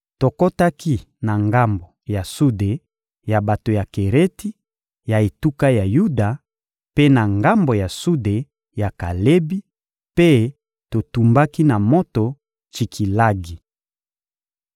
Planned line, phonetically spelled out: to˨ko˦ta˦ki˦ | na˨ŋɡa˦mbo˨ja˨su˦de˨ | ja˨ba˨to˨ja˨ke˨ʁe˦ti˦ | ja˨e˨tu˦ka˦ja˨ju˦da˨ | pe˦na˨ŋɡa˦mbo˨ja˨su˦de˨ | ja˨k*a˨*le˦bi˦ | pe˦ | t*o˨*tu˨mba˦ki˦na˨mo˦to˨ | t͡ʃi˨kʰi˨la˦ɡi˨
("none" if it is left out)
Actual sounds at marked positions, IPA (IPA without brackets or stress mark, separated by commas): a˨, o˨